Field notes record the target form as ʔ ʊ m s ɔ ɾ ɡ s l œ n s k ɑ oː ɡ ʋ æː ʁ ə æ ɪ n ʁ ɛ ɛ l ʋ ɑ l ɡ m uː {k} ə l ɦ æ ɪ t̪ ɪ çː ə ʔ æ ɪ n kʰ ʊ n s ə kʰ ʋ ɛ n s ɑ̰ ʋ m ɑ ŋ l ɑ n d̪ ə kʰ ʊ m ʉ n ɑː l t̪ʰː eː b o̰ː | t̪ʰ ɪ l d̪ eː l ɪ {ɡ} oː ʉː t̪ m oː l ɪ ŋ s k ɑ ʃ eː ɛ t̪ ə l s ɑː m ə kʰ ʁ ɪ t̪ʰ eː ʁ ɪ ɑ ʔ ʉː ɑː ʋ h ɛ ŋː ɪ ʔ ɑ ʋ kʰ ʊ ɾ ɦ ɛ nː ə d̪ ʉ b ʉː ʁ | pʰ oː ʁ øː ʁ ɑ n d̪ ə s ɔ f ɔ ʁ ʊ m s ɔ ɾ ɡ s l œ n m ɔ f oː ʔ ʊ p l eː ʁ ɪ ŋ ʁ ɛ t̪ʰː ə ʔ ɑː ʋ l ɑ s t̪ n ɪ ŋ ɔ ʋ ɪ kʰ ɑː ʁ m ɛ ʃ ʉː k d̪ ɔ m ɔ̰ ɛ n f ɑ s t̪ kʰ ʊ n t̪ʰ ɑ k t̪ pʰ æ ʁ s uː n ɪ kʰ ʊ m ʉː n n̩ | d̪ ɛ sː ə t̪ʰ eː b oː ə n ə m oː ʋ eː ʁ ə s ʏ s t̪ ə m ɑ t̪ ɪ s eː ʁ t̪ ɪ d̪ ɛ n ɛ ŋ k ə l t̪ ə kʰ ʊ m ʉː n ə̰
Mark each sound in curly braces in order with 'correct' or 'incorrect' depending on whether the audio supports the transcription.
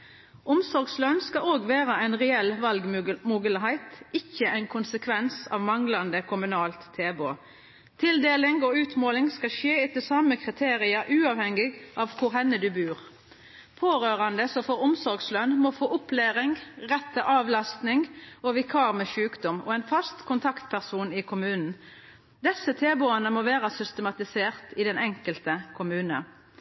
incorrect, incorrect

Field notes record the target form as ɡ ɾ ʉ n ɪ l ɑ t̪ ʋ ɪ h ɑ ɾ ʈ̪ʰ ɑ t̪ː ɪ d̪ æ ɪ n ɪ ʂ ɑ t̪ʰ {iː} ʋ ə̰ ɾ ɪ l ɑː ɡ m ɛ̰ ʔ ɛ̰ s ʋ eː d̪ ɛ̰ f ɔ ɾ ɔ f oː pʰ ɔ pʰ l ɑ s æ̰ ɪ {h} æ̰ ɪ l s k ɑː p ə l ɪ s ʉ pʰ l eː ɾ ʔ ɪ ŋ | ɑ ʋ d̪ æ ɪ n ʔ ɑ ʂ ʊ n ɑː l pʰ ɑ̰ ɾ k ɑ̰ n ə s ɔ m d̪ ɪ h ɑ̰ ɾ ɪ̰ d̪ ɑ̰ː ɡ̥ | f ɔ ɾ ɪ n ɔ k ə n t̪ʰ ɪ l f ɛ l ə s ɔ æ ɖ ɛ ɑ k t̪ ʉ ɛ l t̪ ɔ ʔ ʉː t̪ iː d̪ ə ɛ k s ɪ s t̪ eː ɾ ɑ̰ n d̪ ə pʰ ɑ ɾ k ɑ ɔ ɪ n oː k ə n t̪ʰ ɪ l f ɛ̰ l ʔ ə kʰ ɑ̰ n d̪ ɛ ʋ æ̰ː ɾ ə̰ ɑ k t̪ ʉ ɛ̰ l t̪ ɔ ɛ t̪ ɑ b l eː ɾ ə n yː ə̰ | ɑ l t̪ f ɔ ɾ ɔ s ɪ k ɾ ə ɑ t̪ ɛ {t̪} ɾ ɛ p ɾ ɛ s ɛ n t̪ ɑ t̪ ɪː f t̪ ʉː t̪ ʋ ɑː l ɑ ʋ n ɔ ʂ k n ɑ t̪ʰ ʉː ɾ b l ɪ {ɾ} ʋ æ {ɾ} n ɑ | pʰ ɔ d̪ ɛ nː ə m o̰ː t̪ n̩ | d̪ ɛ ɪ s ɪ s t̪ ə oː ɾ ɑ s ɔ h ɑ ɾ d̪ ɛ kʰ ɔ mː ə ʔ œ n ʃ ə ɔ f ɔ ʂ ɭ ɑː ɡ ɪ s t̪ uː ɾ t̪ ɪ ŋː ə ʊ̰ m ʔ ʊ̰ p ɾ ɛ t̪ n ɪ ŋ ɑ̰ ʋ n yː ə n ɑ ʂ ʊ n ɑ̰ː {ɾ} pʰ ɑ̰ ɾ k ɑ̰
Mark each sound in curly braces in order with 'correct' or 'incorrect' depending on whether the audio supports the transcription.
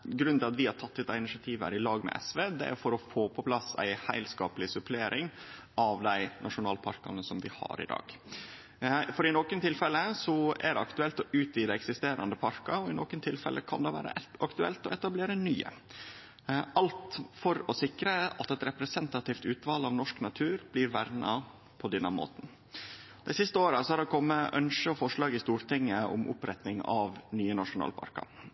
correct, correct, correct, correct, correct, incorrect

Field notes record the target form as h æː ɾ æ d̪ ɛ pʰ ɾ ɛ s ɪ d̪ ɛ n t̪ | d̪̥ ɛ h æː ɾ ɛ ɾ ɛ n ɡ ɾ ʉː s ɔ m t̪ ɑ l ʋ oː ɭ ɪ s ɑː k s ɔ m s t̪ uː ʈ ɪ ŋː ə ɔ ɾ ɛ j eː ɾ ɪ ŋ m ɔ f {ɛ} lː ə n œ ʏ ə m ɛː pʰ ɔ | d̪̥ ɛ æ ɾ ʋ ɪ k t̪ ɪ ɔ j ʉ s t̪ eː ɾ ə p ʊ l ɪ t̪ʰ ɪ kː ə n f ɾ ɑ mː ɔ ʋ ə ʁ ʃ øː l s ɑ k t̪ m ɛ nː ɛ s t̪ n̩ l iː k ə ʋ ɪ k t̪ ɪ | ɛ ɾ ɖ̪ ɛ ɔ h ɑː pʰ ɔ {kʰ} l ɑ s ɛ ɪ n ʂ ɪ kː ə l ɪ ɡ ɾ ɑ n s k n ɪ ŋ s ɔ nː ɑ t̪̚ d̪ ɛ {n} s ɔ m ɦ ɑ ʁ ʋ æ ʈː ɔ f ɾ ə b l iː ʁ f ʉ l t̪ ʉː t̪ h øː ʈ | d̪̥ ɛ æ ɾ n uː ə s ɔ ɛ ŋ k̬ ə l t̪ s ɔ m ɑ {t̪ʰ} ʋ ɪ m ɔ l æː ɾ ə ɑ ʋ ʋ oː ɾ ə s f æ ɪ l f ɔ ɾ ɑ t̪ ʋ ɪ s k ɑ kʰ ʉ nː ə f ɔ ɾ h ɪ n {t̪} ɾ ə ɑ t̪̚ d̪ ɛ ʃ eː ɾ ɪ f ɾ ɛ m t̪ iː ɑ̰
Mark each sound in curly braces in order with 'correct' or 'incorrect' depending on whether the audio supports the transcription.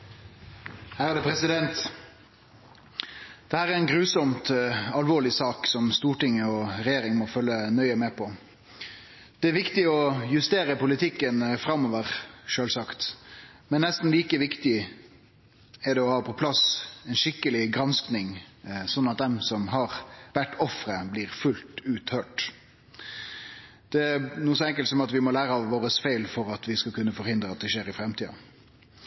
incorrect, incorrect, incorrect, incorrect, incorrect

